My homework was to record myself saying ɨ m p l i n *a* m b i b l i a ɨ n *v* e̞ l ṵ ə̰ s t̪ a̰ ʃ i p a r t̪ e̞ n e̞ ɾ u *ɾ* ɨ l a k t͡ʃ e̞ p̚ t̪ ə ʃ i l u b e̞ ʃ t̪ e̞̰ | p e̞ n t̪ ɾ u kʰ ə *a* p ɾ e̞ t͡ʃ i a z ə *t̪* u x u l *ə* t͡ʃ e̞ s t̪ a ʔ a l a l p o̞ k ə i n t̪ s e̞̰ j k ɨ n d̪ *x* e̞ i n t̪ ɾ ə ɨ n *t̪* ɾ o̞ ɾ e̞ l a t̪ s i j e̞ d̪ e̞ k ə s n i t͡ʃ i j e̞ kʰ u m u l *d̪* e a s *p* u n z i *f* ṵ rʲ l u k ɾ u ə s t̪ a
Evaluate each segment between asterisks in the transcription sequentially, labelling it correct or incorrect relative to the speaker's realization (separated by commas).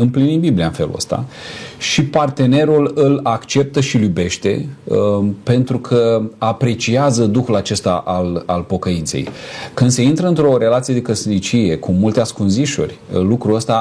incorrect, incorrect, incorrect, correct, incorrect, incorrect, incorrect, correct, incorrect, incorrect, incorrect